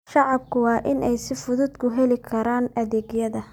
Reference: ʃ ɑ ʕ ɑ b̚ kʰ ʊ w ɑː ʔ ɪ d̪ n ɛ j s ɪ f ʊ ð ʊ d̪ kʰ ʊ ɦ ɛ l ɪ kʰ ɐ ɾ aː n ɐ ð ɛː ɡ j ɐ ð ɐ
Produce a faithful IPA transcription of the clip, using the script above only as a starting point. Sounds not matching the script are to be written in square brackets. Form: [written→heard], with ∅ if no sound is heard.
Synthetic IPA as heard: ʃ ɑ ʕ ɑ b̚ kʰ ʊ w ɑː ʔ ɪ [d̪→∅] n ɛ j s ɪ f ʊ ð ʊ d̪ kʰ ʊ ɦ ɛ l ɪ kʰ ɐ ɾ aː n ɐ ð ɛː ɡ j ɐ ð ɐ